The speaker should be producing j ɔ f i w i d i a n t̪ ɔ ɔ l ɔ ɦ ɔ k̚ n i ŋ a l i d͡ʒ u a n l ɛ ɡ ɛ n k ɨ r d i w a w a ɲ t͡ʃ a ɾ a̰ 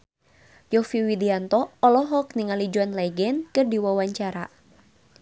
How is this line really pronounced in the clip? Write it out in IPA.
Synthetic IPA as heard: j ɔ f i w i d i a n t̪ ɔ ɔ l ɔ ɦ ɔ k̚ n i ŋ a l i d͡ʒ u a n l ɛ ɡ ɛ n k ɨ r d i w a w a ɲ t͡ʃ a ɾ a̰